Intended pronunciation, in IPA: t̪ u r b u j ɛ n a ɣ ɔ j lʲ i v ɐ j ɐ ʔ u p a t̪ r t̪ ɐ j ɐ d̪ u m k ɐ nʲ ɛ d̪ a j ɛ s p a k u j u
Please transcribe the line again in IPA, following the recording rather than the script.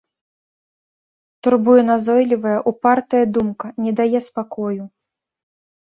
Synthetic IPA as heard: t̪ u r b u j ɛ n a z ɔ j lʲ i v ɐ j ɐ ʔ u p a r t̪ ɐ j ɐ d̪ u m k ɐ nʲ ɛ d̪ a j ɛ s p a k ɔ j u